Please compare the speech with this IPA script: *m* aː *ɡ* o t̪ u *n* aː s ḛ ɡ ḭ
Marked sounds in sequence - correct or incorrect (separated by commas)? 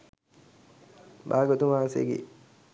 incorrect, correct, incorrect